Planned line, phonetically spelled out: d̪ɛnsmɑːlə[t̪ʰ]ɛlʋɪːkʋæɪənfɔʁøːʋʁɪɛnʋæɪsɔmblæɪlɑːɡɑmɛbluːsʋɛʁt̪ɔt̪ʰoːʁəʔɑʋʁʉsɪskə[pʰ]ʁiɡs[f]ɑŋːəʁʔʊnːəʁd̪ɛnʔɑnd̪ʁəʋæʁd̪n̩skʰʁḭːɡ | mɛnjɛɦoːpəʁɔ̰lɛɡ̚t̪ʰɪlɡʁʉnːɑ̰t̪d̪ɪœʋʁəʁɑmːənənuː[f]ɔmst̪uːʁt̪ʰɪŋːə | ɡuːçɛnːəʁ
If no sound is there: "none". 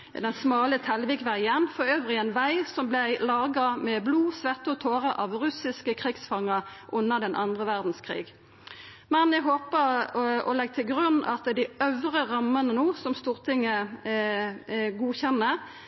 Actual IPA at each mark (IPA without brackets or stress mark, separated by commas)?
t̪ʰ, kʰ, f, s